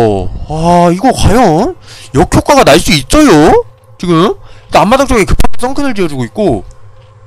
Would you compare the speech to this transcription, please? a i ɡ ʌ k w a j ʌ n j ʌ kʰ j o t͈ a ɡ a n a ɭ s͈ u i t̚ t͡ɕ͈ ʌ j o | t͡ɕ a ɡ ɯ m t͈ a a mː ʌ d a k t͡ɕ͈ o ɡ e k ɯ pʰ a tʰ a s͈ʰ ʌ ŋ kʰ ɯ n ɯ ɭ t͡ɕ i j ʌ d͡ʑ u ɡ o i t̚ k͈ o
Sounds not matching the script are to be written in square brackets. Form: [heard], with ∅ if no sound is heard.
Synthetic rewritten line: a i ɡ ʌ k w a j ʌ n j ʌ kʰ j o [k͈] a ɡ a n a ɭ s͈ u i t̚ t͡ɕ͈ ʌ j o | t͡ɕ [i] ɡ ɯ m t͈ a a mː [a] d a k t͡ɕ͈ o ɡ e k ɯ pʰ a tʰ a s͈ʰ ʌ ŋ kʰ ɯ n ɯ ɭ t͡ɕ i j ʌ d͡ʑ u ɡ o i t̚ k͈ o